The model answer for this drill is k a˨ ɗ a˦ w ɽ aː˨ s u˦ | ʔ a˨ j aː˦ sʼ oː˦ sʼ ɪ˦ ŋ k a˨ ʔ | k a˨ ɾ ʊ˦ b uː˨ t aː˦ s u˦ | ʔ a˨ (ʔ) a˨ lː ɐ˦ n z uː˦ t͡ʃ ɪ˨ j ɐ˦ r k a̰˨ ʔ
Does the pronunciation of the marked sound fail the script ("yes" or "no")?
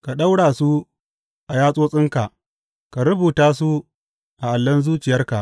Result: no